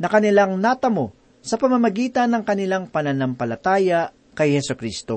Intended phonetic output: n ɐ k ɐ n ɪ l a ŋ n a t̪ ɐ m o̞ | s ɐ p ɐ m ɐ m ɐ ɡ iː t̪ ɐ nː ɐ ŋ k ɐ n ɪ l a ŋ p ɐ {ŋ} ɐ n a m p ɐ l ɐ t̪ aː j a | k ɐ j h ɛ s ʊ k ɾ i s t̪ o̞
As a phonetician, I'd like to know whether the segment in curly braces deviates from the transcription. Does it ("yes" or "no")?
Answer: yes